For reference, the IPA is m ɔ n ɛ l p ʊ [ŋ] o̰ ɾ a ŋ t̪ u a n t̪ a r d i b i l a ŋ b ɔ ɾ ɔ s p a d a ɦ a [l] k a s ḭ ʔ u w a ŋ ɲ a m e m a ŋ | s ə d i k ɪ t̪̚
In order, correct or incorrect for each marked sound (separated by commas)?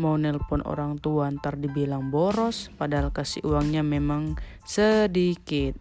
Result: incorrect, correct